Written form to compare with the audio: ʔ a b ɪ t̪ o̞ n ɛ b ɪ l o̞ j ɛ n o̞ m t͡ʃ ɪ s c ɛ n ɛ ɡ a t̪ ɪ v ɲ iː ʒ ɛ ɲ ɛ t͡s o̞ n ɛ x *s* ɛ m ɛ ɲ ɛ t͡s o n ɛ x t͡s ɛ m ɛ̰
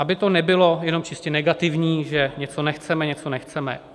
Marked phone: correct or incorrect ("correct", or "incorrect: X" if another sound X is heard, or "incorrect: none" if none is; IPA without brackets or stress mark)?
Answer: incorrect: t͡s